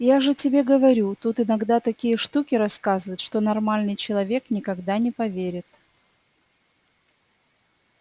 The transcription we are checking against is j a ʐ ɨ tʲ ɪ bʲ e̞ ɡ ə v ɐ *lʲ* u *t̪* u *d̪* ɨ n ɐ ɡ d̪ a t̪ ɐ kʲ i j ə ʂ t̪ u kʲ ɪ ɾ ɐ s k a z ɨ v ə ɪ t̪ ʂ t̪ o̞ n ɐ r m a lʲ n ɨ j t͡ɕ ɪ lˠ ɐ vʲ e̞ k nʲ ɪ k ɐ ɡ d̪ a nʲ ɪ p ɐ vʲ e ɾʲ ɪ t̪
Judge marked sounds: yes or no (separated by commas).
no, yes, no